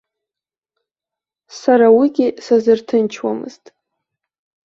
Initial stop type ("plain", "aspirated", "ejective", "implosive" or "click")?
plain